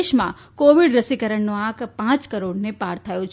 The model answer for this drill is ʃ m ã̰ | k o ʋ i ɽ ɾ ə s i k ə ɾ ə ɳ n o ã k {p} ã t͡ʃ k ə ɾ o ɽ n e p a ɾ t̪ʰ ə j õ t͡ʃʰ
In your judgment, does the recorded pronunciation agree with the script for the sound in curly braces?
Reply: yes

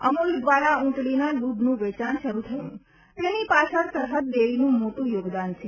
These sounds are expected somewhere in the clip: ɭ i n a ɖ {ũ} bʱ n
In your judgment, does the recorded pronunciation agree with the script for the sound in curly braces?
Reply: no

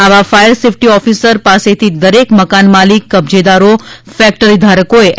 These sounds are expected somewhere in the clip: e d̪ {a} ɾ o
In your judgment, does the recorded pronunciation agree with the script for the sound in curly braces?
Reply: yes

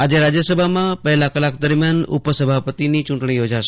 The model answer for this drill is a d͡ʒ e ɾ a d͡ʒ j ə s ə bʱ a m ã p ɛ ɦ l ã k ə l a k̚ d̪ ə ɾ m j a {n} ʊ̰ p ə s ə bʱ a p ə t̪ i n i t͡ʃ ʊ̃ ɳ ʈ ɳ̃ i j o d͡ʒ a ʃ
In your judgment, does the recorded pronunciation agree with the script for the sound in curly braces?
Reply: yes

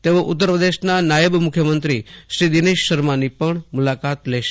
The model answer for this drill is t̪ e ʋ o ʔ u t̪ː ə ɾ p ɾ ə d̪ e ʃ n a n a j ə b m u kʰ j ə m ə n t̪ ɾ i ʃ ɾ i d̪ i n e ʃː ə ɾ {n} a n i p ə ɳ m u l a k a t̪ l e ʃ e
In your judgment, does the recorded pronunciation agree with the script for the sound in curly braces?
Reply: no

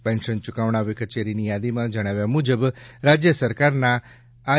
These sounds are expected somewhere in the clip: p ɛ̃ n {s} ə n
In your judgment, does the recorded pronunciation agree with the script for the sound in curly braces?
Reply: no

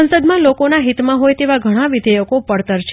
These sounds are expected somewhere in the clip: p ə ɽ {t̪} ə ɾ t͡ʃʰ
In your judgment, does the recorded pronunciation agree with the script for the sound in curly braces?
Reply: yes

